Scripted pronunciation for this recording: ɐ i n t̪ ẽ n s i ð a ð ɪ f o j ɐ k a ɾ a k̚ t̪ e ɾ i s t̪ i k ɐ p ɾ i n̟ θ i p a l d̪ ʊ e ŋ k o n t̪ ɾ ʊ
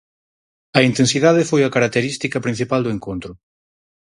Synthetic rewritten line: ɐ i n t̪ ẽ n s i ð a ð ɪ f o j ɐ k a ɾ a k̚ t̪ e ɾ i s t̪ i k ɐ p ɾ i n̟ θ i p a l d̪ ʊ e ŋ k o n t̪ ɾ ʊ

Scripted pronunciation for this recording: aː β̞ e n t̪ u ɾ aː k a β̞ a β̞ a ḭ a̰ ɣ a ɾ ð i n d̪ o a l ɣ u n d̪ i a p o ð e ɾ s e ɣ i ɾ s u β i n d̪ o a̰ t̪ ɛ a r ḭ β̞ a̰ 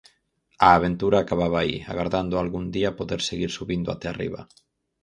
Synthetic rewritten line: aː β̞ e n t̪ u ɾ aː k a β̞ a β̞ a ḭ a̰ ɣ a ɾ ð a n d̪ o a l ɣ u n d̪ i a p o ð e ɾ s e ɣ i ɾ s u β i n d̪ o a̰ t̪ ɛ a r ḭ β̞ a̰

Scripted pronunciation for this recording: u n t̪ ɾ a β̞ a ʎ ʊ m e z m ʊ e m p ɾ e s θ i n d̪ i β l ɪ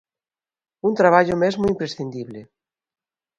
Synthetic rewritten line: u n t̪ ɾ a β̞ a ʎ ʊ m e z m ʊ i m p ɾ e s θ i n d̪ i β l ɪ

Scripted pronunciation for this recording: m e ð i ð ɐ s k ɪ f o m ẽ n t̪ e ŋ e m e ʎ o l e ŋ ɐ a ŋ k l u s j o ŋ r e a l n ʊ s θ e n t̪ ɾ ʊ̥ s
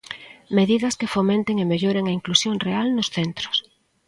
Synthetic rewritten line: m e ð i ð ɐ s k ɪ f o m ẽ n t̪ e ŋ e m e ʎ o ɾ e ŋ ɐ i ŋ k l u s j o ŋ r e a l n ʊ s θ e n t̪ ɾ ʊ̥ s

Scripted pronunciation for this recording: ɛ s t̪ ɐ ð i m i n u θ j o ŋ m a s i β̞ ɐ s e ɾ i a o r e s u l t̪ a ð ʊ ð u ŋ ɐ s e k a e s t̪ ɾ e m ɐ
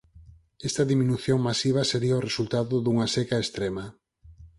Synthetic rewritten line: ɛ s t̪ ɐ ð i m i n u θ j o ŋ m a s i β̞ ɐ s e ɾ i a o r e s u l t̪ a ð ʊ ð u ŋ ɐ s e k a e s t̪ ɾ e m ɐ

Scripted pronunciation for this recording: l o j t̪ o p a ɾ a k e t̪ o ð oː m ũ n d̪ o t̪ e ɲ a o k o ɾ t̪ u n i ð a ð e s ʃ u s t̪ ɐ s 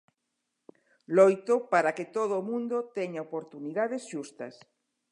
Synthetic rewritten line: l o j t̪ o p a ɾ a k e t̪ o ð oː m ũ n d̪ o t̪ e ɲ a o p o ɾ t̪ u n i ð a ð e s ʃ u s t̪ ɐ s

